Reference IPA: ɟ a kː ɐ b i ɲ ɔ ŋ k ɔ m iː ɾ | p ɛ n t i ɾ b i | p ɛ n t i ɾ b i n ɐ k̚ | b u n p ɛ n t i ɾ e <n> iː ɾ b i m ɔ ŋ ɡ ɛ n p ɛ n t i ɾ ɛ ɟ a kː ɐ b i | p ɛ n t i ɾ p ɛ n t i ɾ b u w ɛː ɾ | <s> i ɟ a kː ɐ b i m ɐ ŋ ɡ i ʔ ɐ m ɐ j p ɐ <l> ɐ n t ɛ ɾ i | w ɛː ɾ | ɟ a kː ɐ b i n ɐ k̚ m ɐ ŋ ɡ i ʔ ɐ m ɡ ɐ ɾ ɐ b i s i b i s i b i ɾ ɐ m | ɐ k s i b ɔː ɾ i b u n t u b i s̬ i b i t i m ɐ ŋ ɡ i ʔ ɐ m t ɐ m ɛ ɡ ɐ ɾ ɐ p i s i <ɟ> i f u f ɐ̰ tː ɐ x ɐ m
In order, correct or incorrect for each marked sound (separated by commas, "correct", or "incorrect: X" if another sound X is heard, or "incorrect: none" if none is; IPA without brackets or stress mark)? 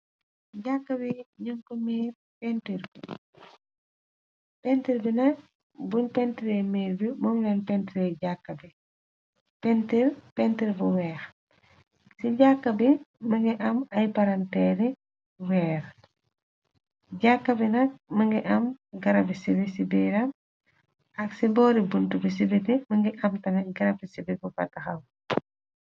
incorrect: m, correct, incorrect: ɾ, incorrect: b